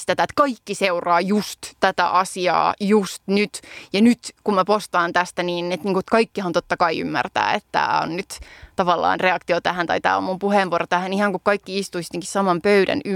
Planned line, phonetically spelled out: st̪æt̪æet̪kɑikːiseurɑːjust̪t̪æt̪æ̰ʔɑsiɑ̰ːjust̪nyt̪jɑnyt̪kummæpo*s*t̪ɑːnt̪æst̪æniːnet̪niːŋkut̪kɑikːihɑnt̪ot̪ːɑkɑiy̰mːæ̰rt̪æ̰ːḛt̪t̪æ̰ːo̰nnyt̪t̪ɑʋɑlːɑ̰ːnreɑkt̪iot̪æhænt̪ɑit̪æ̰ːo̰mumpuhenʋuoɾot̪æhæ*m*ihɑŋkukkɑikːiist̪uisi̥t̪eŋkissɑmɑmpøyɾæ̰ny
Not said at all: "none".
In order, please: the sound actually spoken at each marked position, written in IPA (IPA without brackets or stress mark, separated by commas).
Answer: s, n